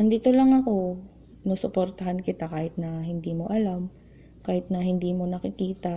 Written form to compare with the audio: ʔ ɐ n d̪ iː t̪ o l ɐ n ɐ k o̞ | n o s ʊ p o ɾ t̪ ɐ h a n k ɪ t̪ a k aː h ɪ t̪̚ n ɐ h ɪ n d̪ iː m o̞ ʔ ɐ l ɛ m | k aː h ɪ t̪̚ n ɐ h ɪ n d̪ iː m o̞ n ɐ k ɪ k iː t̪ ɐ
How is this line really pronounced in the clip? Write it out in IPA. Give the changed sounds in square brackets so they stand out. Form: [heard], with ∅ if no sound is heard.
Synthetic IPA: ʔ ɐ n d̪ iː t̪ o l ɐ [ŋ] ɐ k o̞ | n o s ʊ p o ɾ t̪ ɐ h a n k ɪ t̪ a k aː h ɪ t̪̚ n ɐ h ɪ n d̪ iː m o̞ ʔ ɐ l [a] m | k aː h ɪ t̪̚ n ɐ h ɪ n d̪ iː m o̞ n ɐ k ɪ k iː t̪ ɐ